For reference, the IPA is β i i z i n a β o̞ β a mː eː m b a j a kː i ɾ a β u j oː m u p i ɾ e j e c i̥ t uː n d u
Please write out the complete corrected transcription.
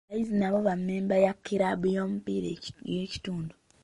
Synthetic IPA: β a i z i n a β o̞ β a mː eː m b a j a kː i ɾ a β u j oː m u p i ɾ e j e c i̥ t uː n d u